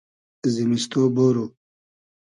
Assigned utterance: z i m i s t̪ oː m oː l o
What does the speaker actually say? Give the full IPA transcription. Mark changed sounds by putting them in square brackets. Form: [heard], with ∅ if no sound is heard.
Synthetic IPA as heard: z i m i s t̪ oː [b] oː [ɾ] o